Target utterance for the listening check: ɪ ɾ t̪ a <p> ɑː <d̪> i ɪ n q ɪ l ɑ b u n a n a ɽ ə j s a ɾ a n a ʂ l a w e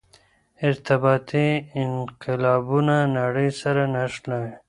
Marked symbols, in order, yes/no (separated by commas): no, no